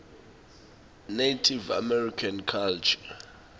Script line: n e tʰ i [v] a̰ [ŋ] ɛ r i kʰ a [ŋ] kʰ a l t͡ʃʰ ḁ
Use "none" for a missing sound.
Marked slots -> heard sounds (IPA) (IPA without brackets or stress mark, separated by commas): v, m, n